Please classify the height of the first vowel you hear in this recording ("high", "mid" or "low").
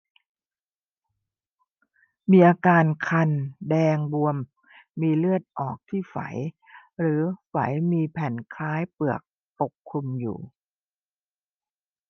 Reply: high